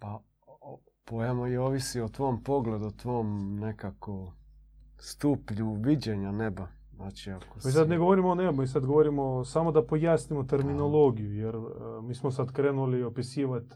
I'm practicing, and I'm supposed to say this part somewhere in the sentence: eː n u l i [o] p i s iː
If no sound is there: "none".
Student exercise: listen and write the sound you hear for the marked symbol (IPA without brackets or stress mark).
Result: o